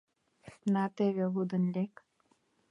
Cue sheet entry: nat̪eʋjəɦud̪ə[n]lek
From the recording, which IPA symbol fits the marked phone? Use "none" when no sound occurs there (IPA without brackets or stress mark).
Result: n